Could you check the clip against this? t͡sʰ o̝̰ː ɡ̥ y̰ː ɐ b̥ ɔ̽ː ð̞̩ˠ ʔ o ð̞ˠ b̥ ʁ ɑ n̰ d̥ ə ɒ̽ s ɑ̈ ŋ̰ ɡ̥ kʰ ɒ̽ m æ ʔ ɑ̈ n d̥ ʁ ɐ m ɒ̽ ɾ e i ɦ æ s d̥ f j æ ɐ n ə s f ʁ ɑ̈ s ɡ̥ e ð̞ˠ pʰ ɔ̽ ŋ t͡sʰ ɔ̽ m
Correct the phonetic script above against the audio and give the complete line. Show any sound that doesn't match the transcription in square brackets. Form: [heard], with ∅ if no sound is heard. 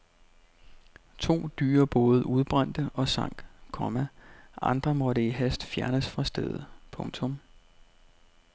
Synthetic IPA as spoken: t͡sʰ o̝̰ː [d̥] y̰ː ɐ b̥ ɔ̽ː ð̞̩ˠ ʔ [u] ð̞ˠ b̥ ʁ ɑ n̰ d̥ ə ɒ̽ s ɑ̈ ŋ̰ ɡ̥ kʰ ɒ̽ m æ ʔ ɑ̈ n d̥ ʁ ɐ m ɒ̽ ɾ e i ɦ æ s d̥ f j æ ɐ n ə s f ʁ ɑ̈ s [d̥] e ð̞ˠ pʰ ɔ̽ ŋ t͡sʰ ɔ̽ m